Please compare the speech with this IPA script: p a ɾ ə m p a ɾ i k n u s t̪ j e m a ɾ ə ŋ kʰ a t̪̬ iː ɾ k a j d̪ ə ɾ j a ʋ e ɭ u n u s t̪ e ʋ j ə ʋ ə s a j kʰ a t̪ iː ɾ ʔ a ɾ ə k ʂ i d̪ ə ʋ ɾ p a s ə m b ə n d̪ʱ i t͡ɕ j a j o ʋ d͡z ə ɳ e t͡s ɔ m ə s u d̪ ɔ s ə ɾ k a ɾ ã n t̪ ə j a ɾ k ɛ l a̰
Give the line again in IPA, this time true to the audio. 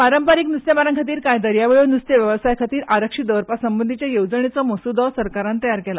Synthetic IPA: p a ɾ ə m p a ɾ i k n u s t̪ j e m a ɾ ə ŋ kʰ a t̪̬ iː ɾ k a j d̪ ə ɾ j a ʋ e ɭ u n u s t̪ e ʋ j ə ʋ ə s a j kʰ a t̪ iː ɾ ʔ a ɾ ə k ʂ i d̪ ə ʋ ɾ p a s ə m b ə n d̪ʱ i t͡ɕ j a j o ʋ d͡z ə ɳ e t͡s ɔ m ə s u d̪ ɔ s ə ɾ k a ɾ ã n t̪ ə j a ɾ k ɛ l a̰